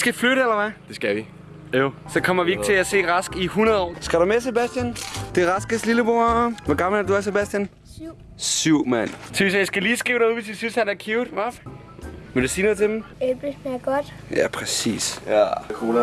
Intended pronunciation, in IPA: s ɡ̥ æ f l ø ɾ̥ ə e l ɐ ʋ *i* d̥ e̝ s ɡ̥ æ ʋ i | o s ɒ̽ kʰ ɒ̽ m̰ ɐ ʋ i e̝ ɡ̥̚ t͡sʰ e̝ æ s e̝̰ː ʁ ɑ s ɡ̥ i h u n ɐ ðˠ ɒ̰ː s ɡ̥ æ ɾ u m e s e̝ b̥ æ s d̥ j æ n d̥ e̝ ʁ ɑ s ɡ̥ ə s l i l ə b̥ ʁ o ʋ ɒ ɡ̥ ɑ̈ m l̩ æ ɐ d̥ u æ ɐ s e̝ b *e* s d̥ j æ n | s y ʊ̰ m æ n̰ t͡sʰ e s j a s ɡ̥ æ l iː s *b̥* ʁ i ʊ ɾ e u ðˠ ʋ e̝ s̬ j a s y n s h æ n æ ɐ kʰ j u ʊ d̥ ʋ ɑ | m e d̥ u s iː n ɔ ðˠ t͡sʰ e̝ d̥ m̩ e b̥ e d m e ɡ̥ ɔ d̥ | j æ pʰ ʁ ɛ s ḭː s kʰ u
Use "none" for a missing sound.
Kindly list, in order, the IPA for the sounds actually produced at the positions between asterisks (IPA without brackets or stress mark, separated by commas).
æ, æ, ɡ̥